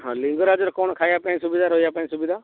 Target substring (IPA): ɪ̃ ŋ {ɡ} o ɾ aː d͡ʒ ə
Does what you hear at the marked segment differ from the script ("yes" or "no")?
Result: no